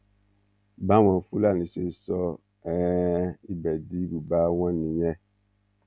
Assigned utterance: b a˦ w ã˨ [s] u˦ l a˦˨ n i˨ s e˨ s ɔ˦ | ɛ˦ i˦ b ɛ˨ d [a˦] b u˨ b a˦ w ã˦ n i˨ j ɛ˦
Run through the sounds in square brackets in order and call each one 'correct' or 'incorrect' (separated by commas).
incorrect, incorrect